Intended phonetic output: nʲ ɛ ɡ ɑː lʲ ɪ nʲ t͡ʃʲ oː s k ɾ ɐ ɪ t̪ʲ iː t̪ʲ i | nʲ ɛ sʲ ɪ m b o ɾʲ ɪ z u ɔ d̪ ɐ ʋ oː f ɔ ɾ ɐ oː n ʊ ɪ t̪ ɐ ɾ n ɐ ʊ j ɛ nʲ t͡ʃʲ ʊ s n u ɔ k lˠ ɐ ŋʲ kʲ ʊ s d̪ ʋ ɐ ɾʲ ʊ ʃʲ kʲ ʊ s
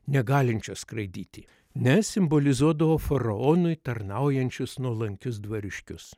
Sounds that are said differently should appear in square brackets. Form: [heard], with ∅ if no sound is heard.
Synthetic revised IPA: nʲ ɛ ɡ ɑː lʲ ɪ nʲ t͡ʃʲ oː s k ɾ ɐ ɪ [d̪ʲ] iː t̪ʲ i | nʲ ɛ sʲ ɪ m b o [lʲ] ɪ z u ɔ d̪ ɐ ʋ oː f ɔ ɾ ɐ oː n ʊ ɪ t̪ ɐ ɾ n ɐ ʊ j ɛ nʲ t͡ʃʲ ʊ s n u ɔ [∅] lˠ ɐ ŋʲ kʲ ʊ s d̪ ʋ ɐ ɾʲ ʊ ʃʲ kʲ ʊ s